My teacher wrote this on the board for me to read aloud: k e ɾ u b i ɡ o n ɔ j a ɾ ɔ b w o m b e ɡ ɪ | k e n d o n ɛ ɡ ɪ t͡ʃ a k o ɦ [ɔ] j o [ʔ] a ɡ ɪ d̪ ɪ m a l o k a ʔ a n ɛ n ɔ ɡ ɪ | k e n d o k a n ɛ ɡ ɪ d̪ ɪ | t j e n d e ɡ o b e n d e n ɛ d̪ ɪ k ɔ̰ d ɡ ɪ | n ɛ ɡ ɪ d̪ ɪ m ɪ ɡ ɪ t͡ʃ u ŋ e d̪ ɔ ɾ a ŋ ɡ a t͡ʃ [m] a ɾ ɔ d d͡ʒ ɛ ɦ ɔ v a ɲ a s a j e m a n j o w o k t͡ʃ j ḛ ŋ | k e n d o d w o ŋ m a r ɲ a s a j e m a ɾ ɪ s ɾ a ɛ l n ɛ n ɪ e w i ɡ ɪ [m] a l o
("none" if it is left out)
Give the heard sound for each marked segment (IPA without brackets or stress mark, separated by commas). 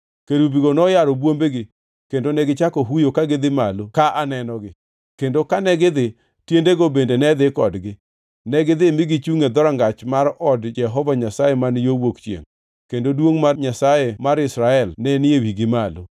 u, k, m, m